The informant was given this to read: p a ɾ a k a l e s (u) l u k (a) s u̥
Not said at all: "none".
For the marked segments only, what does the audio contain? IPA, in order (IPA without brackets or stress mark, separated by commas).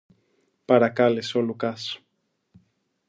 o, a